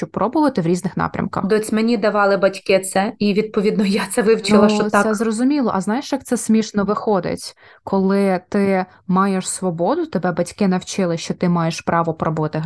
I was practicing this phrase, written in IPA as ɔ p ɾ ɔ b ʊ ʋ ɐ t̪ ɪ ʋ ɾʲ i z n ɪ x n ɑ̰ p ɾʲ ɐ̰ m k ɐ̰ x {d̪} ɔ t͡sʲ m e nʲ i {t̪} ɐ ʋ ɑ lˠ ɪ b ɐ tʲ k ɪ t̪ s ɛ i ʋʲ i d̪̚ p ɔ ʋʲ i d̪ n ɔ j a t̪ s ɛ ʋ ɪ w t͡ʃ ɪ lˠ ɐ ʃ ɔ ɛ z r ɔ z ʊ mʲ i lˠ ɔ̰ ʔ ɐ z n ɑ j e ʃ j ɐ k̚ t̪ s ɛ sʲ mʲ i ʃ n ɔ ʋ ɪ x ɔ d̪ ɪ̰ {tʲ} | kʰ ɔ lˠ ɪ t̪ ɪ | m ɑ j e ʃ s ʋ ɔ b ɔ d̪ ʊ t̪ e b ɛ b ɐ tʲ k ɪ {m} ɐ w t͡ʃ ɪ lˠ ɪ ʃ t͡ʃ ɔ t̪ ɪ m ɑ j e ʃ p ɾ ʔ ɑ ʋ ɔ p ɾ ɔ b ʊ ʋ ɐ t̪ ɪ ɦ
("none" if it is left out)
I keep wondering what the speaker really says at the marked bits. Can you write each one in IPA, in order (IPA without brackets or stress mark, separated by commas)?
d̪, d̪, tʲ, n